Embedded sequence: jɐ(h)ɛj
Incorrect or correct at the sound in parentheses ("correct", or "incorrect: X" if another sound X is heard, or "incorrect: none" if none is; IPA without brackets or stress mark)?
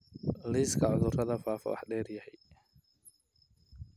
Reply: correct